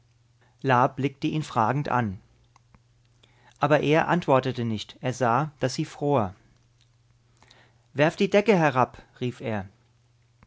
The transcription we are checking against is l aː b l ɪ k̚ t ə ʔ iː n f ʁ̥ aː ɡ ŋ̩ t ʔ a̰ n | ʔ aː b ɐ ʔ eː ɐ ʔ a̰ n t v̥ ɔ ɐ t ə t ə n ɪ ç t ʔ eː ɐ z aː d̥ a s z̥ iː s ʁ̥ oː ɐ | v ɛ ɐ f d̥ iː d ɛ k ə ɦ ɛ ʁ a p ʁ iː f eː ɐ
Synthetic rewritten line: l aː b l ɪ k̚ t ə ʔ iː n f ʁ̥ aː ɡ ŋ̩ t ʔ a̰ n | ʔ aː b ɐ ʔ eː ɐ ʔ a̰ n t v̥ ɔ ɐ t ə t ə n ɪ ç t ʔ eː ɐ z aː d̥ a s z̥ iː f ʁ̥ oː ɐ | v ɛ ɐ f d̥ iː d ɛ k ə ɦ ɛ ʁ a p ʁ iː f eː ɐ

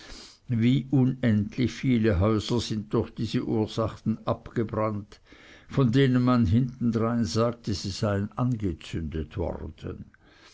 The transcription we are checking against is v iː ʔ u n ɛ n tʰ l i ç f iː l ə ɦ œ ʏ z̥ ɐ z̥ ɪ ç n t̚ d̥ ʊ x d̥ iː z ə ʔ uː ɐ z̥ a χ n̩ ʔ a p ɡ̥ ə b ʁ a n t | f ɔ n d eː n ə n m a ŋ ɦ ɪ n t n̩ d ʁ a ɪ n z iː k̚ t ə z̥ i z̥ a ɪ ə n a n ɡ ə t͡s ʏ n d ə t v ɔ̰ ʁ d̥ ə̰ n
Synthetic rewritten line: v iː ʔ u n ɛ n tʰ l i ç f iː l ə ɦ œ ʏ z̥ ɐ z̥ ɪ n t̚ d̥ ʊ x d̥ iː z ə ʔ uː ɐ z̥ a χ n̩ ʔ a p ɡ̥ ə b ʁ a n t | f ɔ n d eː n ə n m a n ɦ ɪ n t n̩ d ʁ a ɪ n z aː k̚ t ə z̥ i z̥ a ɪ ə n a n ɡ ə t͡s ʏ n d ə t v ɔ̰ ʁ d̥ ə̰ n

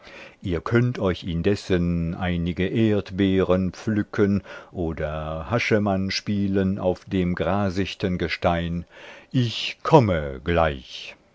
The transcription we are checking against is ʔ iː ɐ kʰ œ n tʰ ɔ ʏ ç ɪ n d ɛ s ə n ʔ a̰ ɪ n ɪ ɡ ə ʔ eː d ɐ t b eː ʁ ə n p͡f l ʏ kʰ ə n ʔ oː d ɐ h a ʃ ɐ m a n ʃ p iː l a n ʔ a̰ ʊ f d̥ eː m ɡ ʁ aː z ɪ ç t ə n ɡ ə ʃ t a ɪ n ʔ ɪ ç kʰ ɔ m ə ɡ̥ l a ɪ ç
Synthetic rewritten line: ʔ iː ɐ kʰ œ n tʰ ɔ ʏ ç ɪ n d ɛ s ə n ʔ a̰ ɪ n ɪ ɡ ə ʔ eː ɐ t b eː ʁ ə n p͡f l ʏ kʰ ə n ʔ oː d ɐ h a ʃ ə m a n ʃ p iː l ə n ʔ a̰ ʊ f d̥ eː m ɡ ʁ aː z ɪ ç t ə n ɡ ə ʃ t a ɪ n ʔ ɪ ç kʰ ɔ m ə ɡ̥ l a ɪ ç

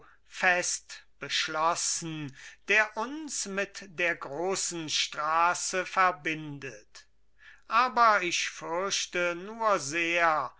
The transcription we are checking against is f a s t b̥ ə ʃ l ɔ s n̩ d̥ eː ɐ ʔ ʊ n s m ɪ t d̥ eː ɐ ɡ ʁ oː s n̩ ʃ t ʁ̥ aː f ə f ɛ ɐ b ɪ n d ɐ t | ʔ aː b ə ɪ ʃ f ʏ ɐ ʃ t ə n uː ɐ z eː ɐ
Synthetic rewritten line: f ɛ s t b̥ ə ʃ l ɔ s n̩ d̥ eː ɐ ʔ ʊ n s m ɪ t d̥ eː ɐ ɡ ʁ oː s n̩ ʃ t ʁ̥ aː s ə f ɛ ɐ b ɪ n d ə t | ʔ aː b ɐ ɪ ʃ f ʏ ɐ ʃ t ə n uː ɐ z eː ɐ

